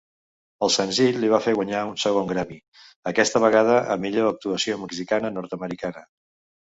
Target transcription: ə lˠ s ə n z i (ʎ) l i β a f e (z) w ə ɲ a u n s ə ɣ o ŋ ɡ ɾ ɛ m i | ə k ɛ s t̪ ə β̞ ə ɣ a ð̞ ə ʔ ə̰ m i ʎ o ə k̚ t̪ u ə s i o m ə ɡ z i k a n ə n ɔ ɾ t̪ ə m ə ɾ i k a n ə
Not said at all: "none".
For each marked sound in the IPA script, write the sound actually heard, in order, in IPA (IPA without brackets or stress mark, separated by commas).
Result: ʎ, ɣ